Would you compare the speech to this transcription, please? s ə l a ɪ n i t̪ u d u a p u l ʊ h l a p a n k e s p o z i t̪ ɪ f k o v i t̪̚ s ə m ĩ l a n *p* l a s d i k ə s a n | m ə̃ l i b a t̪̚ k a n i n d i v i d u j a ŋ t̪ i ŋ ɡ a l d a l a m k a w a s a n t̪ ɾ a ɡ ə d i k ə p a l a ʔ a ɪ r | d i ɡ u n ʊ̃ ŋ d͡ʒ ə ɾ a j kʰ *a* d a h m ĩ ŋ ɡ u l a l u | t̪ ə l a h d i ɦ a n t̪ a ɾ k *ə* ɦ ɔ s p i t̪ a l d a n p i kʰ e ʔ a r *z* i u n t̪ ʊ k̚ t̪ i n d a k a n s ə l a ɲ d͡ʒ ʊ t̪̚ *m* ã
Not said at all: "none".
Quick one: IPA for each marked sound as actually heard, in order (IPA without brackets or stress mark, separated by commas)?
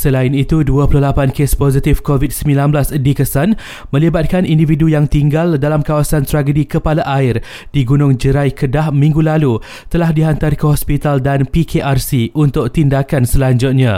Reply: b, ə, ə, s, ɲ